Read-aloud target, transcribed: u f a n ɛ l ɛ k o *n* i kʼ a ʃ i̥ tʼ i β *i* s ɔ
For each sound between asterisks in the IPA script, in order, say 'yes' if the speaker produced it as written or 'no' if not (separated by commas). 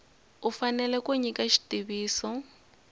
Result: no, no